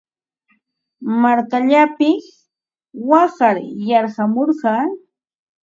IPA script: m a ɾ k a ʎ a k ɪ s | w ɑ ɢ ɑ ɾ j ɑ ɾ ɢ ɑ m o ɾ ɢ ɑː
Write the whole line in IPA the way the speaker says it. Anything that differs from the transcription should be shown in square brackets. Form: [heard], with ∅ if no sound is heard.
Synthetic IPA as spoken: m a ɾ k a ʎ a [p] ɪ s | w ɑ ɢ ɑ ɾ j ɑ ɾ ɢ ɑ m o ɾ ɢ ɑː